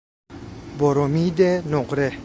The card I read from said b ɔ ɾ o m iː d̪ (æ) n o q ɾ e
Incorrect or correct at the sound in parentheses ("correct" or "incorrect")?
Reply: incorrect